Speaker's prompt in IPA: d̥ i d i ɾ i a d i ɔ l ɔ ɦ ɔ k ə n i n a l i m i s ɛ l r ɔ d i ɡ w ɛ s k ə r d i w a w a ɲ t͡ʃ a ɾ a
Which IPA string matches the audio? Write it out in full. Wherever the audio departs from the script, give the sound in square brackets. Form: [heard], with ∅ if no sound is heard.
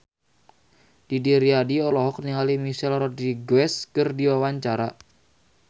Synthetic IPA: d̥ i d i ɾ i a d i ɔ l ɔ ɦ ɔ k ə n i [ŋ] a l i m i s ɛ l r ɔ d i ɡ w ɛ s k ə r d i w a w a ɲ t͡ʃ a ɾ a